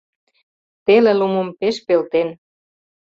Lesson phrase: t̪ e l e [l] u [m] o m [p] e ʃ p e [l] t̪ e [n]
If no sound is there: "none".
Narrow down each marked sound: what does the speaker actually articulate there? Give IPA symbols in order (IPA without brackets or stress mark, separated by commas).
l, m, p, l, n